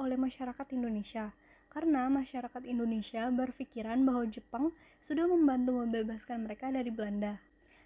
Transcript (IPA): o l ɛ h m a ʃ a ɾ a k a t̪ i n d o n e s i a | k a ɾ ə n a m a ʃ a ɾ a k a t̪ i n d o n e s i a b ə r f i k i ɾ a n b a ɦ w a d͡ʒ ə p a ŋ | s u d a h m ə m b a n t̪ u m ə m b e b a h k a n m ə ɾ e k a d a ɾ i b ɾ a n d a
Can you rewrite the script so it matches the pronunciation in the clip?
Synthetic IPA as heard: o l ɛ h m a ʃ a ɾ a k a t̪ i n d o n e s i a | k a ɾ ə n a m a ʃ a ɾ a k a t̪ i n d o n e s i a b ə r f i k i ɾ a n b a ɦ w a d͡ʒ ə p a ŋ | s u d a h m ə m b a n t̪ u m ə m b e b a s k a n m ə ɾ e k a d a ɾ i b l a n d a